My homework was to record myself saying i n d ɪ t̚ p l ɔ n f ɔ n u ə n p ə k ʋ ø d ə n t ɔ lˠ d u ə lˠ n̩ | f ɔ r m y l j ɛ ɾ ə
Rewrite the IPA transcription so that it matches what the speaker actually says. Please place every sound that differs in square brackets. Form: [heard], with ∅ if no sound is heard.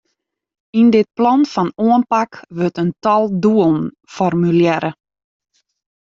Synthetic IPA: i n d ɪ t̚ p l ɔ n f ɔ n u ə n p [a] k ʋ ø [t] ə n t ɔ lˠ d u ə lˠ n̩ | f ɔ r m y l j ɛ ɾ ə